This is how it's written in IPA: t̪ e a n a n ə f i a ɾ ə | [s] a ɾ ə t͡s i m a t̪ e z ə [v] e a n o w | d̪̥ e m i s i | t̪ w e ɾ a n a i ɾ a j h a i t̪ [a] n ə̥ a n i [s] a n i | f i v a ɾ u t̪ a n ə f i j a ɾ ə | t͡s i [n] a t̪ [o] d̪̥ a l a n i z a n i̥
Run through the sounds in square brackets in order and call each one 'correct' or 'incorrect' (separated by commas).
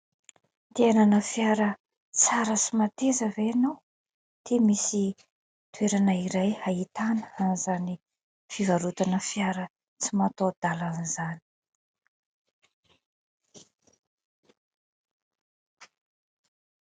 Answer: incorrect, correct, correct, incorrect, incorrect, correct